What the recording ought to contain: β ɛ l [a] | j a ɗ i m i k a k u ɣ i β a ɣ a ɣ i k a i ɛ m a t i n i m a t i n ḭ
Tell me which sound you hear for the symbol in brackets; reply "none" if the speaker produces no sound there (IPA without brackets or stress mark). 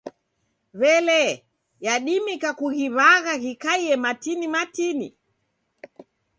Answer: ɛ